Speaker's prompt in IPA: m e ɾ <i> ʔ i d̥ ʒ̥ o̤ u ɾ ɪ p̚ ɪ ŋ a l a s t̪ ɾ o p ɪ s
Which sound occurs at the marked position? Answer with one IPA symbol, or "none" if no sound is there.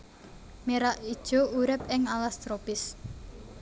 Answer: a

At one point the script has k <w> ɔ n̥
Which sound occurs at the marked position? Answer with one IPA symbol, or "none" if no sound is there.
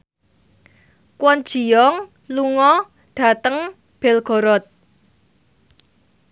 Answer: w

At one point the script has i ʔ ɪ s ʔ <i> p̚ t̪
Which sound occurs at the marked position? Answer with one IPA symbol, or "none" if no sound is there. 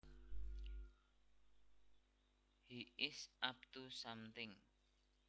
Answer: a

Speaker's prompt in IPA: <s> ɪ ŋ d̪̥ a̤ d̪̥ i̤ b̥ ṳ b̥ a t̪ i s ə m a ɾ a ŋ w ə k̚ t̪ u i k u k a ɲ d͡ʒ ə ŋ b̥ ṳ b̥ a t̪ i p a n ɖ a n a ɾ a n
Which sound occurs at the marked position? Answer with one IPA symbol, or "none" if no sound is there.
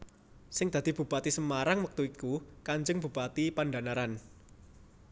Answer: s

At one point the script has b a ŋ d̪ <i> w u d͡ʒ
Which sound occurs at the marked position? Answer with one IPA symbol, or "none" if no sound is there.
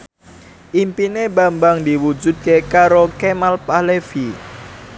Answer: i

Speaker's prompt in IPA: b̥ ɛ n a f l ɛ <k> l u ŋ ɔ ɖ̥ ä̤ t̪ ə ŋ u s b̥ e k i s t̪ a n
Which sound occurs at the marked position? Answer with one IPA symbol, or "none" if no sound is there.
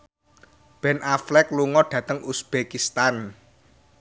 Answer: k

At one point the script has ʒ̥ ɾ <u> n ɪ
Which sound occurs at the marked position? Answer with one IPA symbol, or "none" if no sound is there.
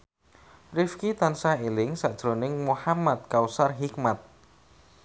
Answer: o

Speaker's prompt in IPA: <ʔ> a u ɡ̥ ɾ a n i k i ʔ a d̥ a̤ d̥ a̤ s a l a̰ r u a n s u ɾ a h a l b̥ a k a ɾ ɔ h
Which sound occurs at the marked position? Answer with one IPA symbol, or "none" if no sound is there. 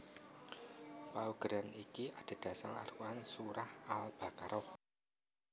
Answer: p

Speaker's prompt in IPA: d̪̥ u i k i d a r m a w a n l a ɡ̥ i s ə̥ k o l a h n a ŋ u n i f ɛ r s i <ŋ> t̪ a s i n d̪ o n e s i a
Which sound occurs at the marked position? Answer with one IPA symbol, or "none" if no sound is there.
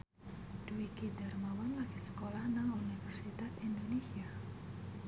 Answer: none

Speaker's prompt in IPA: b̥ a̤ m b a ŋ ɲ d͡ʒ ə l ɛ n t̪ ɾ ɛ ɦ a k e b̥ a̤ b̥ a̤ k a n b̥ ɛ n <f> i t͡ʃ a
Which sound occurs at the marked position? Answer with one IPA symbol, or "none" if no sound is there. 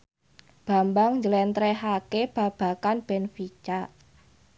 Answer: f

